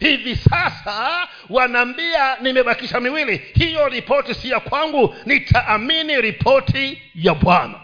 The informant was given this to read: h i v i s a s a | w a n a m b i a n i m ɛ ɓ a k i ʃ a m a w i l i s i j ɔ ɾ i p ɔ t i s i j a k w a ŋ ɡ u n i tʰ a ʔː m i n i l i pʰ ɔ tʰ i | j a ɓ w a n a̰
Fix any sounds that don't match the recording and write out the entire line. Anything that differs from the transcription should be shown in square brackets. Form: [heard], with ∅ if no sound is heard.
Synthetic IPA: h i v i s a s a | w a n a m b i a n i m ɛ ɓ a k i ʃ a m [i] w i l i [h] i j ɔ ɾ i p ɔ t i s i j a k w a ŋ ɡ u n i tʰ a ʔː m i n i [ɾ] i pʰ ɔ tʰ i | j a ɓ w a n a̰